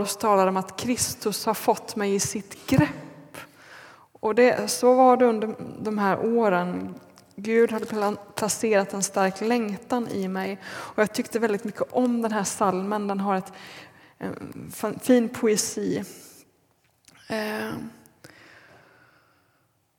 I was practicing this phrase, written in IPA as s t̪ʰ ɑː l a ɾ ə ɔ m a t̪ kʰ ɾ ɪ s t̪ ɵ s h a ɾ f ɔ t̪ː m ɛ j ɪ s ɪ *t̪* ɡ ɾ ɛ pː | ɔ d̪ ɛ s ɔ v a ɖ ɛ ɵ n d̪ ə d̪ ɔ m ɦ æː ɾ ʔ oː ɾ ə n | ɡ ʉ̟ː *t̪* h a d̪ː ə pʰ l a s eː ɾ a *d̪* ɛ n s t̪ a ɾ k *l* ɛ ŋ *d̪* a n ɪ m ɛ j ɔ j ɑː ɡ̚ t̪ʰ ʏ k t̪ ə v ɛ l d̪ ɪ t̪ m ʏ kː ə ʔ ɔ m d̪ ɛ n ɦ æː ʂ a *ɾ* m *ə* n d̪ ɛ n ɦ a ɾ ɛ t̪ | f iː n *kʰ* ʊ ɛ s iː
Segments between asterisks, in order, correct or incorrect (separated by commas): correct, incorrect, incorrect, correct, incorrect, incorrect, correct, incorrect